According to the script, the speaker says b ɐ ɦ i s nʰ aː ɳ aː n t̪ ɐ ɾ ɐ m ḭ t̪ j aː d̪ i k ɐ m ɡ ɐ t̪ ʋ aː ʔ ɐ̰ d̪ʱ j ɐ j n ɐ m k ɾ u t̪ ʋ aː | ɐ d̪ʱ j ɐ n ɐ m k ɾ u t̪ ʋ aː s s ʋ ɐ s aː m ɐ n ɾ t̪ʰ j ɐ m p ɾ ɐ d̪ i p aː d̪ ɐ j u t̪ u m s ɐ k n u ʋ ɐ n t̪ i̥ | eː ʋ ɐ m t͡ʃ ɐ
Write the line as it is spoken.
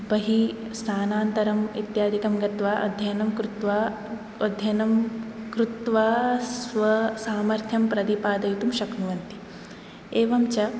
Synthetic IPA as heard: b ɐ ɦ i s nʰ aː n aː n t̪ ɐ ɾ ɐ m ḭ t̪ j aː d̪ i k ɐ m ɡ ɐ t̪ ʋ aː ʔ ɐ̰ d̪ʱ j ɐ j n ɐ m k ɾ u t̪ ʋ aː | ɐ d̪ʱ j ɐ n ɐ m k ɾ u t̪ ʋ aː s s ʋ ɐ s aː m ɐ ɾ t̪ʰ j ɐ m p ɾ ɐ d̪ i p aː d̪ ɐ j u t̪ u m ʃ ɐ k n u ʋ ɐ n t̪ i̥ | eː ʋ ɐ m t͡ʃ ɐ